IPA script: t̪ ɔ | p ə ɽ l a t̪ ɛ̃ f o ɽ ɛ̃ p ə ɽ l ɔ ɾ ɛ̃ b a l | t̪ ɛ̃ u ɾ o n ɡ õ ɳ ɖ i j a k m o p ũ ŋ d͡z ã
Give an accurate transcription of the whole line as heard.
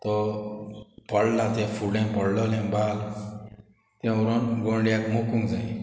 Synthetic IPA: t̪ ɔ | p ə ɽ l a t̪ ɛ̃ f u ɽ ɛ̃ p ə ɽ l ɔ l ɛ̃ b a l | t̪ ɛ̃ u ɾ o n ɡ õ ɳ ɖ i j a k m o k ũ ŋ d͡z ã